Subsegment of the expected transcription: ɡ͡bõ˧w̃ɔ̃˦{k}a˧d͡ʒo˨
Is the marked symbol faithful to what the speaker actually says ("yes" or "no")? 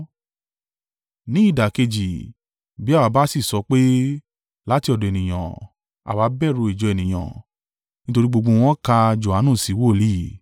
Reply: yes